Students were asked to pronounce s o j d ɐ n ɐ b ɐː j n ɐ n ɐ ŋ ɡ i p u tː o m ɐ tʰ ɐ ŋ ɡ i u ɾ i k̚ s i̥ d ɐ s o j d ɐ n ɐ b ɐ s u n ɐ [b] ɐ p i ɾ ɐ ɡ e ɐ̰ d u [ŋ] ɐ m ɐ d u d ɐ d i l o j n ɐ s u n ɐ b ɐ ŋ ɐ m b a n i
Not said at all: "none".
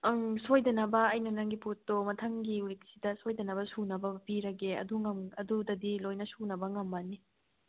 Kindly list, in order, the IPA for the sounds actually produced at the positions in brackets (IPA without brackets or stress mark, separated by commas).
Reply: b, ŋ